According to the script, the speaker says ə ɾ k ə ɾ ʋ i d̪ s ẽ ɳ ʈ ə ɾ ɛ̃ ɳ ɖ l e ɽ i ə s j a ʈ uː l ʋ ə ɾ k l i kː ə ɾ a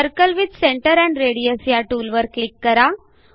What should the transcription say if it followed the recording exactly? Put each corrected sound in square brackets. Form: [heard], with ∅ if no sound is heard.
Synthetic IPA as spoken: ə ɾ k ə [l] ʋ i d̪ s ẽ ɳ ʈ ə ɾ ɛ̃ ɳ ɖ [ɾ] e ɽ i ə s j a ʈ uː l ʋ ə ɾ k l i kː ə ɾ a